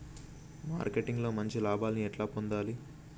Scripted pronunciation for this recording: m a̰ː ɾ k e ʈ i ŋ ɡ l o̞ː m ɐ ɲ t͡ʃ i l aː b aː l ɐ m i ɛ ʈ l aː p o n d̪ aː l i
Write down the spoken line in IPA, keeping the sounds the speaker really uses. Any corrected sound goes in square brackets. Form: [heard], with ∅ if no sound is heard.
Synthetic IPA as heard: m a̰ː ɾ k e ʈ i ŋ ɡ l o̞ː m ɐ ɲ t͡ʃ i l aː b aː l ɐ [n] i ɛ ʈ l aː p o n d̪ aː l i